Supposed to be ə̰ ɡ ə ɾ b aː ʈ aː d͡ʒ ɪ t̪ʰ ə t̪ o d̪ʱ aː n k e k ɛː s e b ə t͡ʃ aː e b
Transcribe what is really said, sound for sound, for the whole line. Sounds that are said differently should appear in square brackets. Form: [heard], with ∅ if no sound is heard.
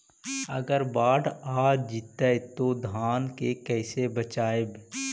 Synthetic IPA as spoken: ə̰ ɡ ə ɾ b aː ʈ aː d͡ʒ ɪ [t̪] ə t̪ o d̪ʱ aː n k e k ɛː s e b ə t͡ʃ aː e b